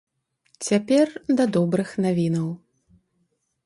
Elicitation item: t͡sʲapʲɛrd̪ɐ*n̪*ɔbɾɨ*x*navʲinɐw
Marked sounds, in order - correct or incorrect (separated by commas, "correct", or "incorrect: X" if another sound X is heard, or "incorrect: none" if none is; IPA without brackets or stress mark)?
incorrect: d̪, correct